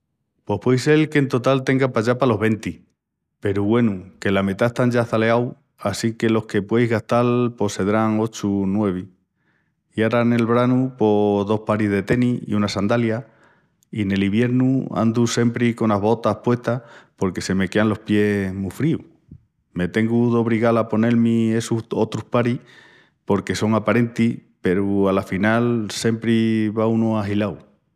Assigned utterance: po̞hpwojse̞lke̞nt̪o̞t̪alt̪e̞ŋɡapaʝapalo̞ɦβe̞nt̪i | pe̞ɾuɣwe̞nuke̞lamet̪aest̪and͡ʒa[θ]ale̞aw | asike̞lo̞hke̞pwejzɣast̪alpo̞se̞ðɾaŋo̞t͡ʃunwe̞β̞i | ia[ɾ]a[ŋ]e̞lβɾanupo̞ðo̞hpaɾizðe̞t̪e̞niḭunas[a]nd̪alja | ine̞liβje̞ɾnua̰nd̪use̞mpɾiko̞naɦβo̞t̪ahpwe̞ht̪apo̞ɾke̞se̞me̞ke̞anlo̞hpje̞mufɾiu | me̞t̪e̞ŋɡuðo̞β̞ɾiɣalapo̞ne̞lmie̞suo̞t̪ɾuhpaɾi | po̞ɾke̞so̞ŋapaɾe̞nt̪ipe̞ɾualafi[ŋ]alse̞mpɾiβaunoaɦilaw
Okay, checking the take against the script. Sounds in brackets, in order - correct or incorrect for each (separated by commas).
correct, correct, incorrect, correct, incorrect